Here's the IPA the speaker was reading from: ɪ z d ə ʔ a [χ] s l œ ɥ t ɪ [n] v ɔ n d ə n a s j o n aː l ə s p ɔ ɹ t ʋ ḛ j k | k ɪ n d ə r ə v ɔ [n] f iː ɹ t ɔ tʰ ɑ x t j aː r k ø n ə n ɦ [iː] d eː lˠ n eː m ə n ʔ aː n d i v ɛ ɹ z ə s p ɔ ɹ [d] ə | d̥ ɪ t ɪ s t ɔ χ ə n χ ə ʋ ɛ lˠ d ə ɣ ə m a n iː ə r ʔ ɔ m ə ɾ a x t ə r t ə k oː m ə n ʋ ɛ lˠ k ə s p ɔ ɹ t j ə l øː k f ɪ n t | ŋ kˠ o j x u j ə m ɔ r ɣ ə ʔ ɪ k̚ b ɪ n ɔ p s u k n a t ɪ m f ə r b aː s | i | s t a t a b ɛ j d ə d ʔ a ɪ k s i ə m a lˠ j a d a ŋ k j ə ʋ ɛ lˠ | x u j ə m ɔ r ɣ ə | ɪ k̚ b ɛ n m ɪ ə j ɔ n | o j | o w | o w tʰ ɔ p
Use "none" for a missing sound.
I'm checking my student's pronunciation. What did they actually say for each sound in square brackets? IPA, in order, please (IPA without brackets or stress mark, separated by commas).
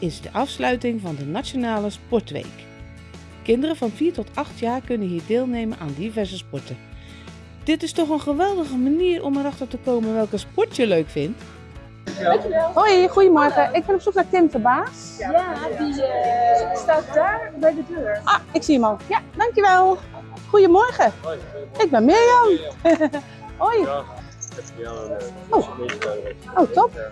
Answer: f, ŋ, n, iː, t